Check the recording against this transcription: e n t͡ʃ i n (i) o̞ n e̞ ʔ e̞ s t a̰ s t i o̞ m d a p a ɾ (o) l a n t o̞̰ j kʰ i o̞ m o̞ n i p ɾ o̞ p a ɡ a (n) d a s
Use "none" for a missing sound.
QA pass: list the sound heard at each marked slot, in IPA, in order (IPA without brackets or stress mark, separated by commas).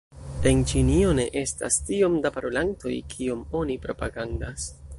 i, o, n